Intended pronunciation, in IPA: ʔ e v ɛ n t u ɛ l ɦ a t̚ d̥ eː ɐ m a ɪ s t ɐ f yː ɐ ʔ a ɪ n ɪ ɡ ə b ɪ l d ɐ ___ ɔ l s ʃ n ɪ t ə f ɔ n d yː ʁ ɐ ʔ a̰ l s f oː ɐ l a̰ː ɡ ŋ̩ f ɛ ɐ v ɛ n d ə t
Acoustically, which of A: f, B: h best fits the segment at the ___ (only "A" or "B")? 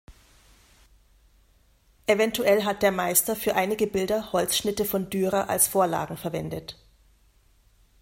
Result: B